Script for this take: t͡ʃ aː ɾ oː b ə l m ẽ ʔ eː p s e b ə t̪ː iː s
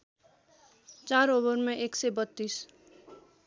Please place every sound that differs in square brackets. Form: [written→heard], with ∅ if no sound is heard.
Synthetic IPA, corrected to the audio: t͡ʃ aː ɾ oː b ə [l→ɾ] m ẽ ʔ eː [p→k] s e b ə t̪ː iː s